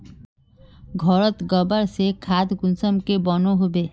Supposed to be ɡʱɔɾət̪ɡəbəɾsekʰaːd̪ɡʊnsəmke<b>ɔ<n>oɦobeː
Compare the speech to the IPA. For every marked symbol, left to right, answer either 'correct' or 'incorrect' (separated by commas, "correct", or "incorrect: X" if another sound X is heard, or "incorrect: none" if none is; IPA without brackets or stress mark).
correct, correct